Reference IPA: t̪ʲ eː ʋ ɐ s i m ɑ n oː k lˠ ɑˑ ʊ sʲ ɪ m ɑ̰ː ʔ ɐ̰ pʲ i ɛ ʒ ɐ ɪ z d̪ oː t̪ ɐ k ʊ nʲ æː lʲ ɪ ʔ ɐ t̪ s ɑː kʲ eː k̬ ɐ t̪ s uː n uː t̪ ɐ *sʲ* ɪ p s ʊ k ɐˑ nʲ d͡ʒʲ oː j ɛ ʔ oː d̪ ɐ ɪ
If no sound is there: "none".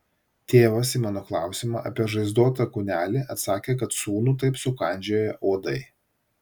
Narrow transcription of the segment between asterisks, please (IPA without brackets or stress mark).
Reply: none